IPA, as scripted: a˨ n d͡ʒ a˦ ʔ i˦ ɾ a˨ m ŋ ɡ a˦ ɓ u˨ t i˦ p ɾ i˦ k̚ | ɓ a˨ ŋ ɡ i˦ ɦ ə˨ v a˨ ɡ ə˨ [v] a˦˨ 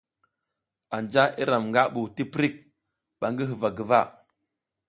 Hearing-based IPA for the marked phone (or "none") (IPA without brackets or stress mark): v